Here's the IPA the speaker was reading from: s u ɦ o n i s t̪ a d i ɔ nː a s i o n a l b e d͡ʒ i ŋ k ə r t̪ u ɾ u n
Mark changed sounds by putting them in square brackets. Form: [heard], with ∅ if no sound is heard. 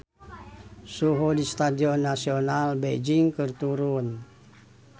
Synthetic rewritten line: s u ɦ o [d] i s t̪ a d i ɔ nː a s i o n a l b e d͡ʒ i ŋ k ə r t̪ u ɾ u n